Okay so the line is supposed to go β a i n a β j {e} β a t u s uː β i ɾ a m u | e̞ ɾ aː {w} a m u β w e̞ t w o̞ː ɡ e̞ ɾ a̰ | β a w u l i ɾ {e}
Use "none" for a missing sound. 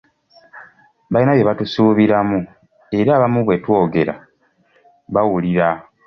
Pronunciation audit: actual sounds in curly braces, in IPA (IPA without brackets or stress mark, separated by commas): e, β, a